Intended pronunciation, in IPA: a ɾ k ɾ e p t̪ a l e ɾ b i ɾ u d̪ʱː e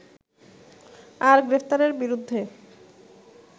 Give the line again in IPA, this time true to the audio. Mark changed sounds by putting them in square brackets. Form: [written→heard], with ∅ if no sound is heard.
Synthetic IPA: a ɾ [k→ɡ] ɾ e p t̪ a [l→ɾ] e ɾ b i ɾ u d̪ʱː e